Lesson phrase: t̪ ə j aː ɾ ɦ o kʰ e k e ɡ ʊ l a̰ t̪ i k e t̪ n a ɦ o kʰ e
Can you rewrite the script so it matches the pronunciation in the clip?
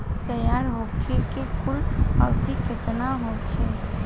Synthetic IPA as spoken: t̪ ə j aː ɾ ɦ o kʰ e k e k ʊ l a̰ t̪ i k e t̪ n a ɦ o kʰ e